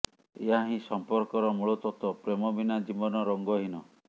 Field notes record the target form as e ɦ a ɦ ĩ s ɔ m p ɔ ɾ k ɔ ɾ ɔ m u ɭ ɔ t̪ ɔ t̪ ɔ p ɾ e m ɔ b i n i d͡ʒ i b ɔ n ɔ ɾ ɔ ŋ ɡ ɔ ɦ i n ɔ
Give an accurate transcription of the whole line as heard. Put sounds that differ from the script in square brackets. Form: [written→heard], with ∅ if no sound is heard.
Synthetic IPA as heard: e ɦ a ɦ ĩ s ɔ m p ɔ ɾ k ɔ ɾ ɔ m u ɭ ɔ t̪ ɔ t̪ ɔ p ɾ e m ɔ b i n [i→a] d͡ʒ i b ɔ n ɔ ɾ ɔ ŋ ɡ ɔ ɦ i n ɔ

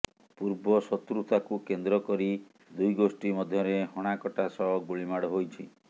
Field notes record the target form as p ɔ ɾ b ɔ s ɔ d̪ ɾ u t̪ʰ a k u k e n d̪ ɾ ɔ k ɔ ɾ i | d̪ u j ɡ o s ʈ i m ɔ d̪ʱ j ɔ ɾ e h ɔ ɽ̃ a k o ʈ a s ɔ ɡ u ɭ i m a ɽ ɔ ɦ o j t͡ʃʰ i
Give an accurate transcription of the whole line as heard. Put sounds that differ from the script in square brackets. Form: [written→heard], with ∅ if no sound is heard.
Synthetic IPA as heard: p [ɔ→u] ɾ b ɔ s ɔ [d̪→t̪] ɾ u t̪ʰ a k u k e n d̪ ɾ ɔ k ɔ ɾ i | d̪ u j ɡ o s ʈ i m ɔ d̪ʱ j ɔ ɾ e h ɔ ɽ̃ a k [o→ɔ] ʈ a s ɔ ɡ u ɭ i m a ɽ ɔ ɦ o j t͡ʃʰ i

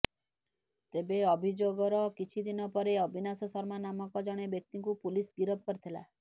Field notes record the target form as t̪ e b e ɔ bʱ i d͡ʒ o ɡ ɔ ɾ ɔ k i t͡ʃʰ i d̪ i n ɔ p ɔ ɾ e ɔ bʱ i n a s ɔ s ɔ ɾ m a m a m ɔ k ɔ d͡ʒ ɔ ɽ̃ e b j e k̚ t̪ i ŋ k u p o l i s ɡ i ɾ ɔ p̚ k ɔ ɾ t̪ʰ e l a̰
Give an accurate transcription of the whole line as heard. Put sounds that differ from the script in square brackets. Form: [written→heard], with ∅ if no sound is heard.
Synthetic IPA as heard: t̪ e b e ɔ bʱ i d͡ʒ o ɡ ɔ ɾ ɔ k i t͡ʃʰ i d̪ i n ɔ p ɔ ɾ e ɔ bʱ i n a s ɔ s ɔ ɾ m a [m→n] a m ɔ k ɔ d͡ʒ ɔ ɽ̃ e b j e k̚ t̪ i ŋ k u p [o→u] l i s ɡ i ɾ ɔ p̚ k ɔ ɾ t̪ʰ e l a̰

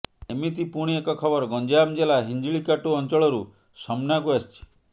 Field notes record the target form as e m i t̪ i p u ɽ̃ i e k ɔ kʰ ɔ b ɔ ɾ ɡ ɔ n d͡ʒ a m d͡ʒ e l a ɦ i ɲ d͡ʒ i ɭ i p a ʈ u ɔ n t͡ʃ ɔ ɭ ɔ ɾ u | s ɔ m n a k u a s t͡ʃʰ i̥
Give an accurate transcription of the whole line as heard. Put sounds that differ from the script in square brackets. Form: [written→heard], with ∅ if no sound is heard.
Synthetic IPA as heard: e m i t̪ i p u ɽ̃ i e k ɔ kʰ ɔ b ɔ ɾ ɡ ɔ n d͡ʒ a m d͡ʒ e l a ɦ i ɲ d͡ʒ i ɭ i [p→k] a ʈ u ɔ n t͡ʃ ɔ ɭ ɔ ɾ u | s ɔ m n a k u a s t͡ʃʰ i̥

